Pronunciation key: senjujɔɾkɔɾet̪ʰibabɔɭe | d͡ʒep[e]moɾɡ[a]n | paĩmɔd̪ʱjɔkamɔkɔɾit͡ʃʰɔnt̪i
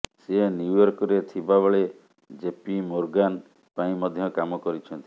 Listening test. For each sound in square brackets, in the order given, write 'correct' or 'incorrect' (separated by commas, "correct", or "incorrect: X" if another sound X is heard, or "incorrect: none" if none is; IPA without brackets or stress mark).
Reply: incorrect: i, correct